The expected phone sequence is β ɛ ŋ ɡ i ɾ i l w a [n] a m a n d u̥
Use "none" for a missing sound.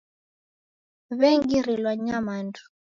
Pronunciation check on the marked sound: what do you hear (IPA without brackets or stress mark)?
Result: ɲ